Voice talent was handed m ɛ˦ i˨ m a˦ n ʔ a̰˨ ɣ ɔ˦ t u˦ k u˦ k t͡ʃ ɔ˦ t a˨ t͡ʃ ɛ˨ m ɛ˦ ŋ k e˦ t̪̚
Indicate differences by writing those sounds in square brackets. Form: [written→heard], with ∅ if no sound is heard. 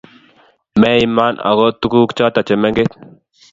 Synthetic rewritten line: m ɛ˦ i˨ m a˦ n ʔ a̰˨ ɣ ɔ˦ t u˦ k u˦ k t͡ʃ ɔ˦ t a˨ t͡ʃ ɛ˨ m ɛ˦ ŋ [k→ɡ] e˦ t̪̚